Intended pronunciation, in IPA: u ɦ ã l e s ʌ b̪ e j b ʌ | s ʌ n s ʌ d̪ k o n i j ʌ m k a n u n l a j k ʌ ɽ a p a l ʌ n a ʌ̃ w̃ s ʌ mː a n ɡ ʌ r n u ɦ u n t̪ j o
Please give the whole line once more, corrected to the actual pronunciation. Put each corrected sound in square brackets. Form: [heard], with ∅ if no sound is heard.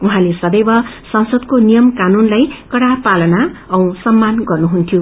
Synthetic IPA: u ɦ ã l e s ʌ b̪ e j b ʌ | s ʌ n s ʌ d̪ k o n i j ʌ m k a n u n l a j k ʌ ɽ a p a l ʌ n a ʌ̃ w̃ s ʌ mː a n ɡ ʌ r n u ɦ u n [t̪ʰ] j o